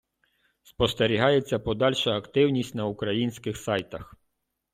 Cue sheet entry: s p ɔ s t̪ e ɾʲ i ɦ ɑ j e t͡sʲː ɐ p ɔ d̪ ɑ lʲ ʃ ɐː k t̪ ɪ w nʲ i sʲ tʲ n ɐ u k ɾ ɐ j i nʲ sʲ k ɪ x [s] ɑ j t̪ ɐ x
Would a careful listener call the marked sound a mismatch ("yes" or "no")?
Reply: no